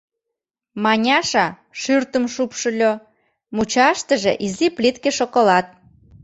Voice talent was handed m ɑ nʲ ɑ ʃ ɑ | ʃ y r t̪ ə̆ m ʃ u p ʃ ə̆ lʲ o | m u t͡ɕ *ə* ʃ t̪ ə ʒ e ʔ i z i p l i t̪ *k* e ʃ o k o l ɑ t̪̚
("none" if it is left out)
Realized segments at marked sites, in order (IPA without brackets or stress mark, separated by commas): ɑ, k